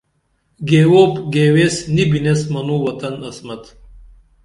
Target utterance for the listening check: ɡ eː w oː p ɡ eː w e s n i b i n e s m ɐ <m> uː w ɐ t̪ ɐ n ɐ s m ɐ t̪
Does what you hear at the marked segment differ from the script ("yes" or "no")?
yes